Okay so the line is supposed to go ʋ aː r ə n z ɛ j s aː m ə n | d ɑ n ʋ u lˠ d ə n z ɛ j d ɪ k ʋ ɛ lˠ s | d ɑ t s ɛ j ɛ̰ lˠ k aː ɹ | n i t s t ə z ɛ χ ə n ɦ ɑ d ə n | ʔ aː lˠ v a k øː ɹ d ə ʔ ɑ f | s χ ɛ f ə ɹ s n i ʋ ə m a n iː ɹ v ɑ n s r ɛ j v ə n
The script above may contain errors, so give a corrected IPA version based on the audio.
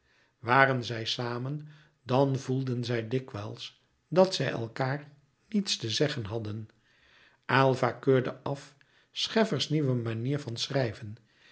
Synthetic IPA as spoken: ʋ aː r ə n z ɛ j s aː m ə n | d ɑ n v u lˠ d ə n z ɛ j d ɪ k ʋ ɛ lˠ s | d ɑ t s ɛ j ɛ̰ lˠ k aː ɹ | n i t s t ə z ɛ χ ə n ɦ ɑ d ə n | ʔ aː lˠ v a k øː ɹ d ə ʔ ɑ f | s χ ɛ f ə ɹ s n i ʋ ə m a n iː ɹ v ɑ n s r ɛ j v ə n